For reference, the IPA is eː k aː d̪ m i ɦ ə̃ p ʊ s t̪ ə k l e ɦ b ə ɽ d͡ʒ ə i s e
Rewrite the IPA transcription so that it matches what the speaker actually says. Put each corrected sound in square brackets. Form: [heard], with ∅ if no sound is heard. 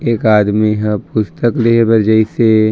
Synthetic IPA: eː k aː d̪ m i ɦ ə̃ p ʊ s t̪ ə k l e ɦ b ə [ɾ] d͡ʒ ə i s e